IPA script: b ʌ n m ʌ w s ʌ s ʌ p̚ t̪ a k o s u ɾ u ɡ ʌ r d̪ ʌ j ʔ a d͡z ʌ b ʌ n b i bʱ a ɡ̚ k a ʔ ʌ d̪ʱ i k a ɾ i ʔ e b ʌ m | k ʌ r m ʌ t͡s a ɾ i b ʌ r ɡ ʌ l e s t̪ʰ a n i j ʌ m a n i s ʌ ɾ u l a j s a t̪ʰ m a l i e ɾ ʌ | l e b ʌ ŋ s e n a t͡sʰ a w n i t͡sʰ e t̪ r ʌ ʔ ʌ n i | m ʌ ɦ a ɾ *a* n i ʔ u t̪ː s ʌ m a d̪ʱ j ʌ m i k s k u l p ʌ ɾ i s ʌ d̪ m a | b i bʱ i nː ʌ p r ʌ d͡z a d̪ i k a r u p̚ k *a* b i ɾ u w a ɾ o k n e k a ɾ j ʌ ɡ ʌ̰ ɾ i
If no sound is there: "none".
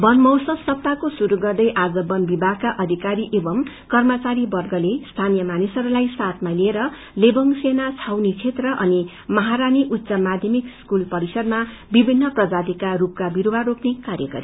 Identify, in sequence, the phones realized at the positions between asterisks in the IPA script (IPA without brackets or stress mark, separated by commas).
a, a